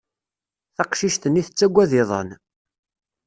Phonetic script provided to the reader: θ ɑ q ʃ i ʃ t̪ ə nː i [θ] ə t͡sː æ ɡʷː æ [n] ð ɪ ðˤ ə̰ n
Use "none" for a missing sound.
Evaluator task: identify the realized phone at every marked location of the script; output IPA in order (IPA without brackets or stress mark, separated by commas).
θ, none